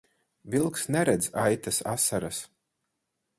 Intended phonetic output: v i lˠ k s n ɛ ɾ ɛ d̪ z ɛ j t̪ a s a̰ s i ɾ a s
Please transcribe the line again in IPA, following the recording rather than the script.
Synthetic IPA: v i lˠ k s n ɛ ɾ ɛ d̪ z a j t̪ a s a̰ s a ɾ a s

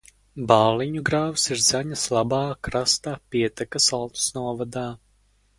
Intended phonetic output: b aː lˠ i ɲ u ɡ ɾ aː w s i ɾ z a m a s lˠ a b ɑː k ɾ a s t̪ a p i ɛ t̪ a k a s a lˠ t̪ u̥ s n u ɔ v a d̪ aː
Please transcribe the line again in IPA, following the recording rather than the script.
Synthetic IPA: b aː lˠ i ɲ u ɡ ɾ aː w s i ɾ z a ɲ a s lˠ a b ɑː k ɾ a s t̪ a p i ɛ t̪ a k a s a lˠ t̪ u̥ s n u ɔ v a d̪ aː

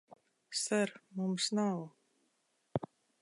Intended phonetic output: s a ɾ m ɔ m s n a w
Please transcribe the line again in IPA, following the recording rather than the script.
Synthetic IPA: s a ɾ m u m s n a w

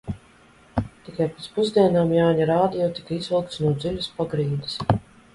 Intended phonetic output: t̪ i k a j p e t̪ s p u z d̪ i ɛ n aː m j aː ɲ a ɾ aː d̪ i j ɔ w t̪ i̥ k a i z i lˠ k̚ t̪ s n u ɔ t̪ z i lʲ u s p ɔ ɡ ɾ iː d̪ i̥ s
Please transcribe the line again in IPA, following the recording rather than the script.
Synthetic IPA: t̪ i k a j p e t̪ s p u z d̪ i ɛ n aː m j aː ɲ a ɾ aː d̪ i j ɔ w t̪ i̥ k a i z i lˠ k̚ t̪ s n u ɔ d̪ z i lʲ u s p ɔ ɡ ɾ iː d̪ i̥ s

